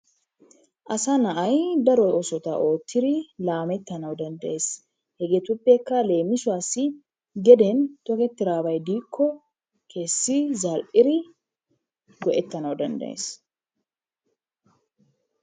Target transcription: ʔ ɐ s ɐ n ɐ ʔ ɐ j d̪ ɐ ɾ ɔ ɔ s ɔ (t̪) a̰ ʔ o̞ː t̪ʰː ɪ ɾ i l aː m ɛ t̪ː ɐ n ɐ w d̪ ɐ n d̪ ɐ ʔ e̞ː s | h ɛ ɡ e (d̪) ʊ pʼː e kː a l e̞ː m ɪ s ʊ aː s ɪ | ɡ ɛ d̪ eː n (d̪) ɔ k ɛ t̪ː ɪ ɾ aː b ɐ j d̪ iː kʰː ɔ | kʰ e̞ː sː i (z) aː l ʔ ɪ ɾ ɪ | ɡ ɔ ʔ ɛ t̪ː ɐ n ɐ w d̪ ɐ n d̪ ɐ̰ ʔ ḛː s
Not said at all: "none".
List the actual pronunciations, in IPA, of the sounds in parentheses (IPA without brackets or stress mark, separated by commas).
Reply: t̪, t̪, t̪, z